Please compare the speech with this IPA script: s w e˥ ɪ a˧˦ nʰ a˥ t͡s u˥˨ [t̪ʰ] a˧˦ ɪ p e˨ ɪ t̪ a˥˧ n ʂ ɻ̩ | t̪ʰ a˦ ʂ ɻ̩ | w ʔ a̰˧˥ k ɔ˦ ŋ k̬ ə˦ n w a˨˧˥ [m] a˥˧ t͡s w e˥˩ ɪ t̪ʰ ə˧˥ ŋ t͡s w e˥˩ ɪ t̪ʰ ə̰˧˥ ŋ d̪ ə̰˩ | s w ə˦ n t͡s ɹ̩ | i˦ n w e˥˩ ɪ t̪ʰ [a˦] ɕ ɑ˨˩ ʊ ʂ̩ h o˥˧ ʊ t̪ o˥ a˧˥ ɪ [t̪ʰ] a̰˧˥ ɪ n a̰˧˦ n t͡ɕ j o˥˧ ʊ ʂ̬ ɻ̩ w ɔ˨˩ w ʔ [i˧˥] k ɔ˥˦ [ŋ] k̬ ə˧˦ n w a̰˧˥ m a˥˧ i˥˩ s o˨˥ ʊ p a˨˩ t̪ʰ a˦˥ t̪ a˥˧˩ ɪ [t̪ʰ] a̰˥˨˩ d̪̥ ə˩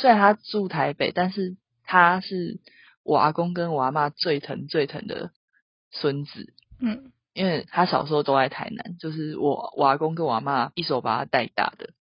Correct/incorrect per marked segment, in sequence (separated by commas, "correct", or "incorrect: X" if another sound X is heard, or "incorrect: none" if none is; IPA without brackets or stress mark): correct, correct, correct, correct, incorrect: a˧˥, correct, incorrect: t̪